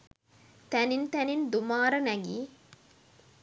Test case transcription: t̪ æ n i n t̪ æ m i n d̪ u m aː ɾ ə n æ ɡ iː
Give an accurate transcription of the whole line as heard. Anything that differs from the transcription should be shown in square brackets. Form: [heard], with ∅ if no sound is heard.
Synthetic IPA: t̪ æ n i n t̪ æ [n] i n d̪ u m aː ɾ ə n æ ɡ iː